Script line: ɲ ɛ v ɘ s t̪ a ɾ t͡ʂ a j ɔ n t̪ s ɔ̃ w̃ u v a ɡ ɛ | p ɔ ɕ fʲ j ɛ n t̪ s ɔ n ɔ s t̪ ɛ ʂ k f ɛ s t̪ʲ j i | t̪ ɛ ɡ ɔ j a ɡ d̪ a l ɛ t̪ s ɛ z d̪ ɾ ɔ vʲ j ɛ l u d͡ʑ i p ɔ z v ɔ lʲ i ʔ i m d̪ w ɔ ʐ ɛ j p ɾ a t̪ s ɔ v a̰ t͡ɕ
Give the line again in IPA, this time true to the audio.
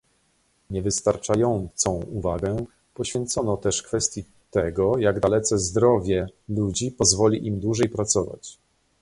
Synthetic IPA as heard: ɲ ɛ v ɘ s t̪ a ɾ t͡ʂ a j ɔ n t̪ s ɔ̃ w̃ u v a ɡ ɛ | p ɔ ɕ fʲ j ɛ n t̪ s ɔ n ɔ t̪ ɛ ʂ k f ɛ s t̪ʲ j i | t̪ ɛ ɡ ɔ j a ɡ d̪ a l ɛ t̪ s ɛ z d̪ ɾ ɔ vʲ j ɛ l u d͡ʑ i p ɔ z v ɔ lʲ i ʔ i m d̪ w u ʐ ɛ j p ɾ a t̪ s ɔ v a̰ t͡ɕ